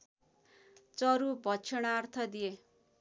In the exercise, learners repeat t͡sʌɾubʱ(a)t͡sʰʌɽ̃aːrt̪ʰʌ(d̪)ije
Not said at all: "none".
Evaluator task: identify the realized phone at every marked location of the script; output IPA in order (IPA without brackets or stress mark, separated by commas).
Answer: ʌ, d̪